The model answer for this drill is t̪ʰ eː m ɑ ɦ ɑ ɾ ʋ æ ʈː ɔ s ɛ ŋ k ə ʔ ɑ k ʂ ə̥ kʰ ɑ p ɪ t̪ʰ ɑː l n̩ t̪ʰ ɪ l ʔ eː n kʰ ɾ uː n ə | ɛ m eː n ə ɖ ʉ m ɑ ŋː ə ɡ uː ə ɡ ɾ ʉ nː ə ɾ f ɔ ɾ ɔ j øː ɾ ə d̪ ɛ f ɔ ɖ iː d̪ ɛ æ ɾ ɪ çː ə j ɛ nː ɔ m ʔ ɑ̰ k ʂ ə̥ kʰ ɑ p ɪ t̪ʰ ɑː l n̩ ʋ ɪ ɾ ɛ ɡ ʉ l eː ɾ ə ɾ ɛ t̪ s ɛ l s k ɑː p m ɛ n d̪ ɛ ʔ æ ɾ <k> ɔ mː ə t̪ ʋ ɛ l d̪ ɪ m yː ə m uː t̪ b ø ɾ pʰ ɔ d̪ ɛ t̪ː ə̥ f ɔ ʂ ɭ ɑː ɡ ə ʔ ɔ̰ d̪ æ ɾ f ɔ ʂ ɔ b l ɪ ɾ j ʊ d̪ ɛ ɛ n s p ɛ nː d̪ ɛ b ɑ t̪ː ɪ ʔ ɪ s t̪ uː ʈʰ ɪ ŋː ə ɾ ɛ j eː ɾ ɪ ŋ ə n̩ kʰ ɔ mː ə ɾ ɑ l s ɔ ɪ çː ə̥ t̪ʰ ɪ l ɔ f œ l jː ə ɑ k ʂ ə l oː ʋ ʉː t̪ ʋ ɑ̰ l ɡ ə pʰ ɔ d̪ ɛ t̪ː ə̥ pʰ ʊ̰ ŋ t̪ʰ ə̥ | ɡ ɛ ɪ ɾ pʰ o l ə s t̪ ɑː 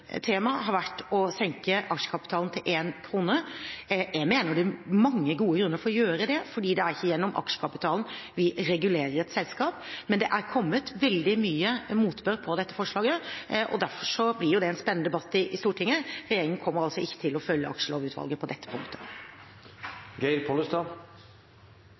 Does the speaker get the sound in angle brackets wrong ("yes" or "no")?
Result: yes